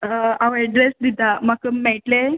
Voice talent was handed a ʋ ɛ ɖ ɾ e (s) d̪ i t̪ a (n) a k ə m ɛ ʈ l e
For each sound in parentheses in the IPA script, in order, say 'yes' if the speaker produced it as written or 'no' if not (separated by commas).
yes, no